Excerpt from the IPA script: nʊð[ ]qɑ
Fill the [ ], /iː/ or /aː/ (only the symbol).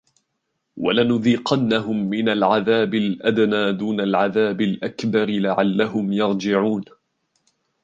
iː